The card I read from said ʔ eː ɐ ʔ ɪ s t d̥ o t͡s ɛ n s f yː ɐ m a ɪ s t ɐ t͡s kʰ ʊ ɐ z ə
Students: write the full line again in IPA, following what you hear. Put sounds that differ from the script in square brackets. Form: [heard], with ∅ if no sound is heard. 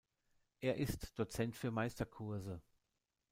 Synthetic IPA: ʔ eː ɐ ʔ ɪ s t d̥ o t͡s ɛ n [t] f yː ɐ m a ɪ s t ɐ [∅] kʰ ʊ ɐ z ə